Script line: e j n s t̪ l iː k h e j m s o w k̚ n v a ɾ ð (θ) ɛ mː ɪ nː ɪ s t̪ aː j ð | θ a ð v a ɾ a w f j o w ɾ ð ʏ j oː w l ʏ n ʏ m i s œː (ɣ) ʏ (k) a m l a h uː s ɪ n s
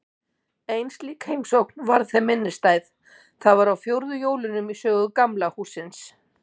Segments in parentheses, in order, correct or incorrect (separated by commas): correct, correct, correct